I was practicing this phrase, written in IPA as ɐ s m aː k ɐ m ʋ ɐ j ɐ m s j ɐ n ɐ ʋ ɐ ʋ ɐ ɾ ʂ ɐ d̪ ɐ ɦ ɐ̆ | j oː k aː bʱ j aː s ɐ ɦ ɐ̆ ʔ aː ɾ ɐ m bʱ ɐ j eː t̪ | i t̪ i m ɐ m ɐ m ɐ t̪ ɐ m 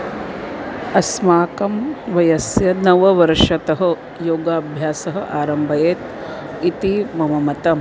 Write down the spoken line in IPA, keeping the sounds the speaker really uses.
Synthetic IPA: ɐ s m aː k ɐ m ʋ ɐ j ɐ s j ɐ n ɐ ʋ ɐ ʋ ɐ ɾ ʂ ɐ t̪ ɐ ɦ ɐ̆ | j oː ɡ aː bʱ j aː s ɐ ɦ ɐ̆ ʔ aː ɾ ɐ m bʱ ɐ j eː t̪ | i t̪ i m ɐ m ɐ m ɐ t̪ ɐ m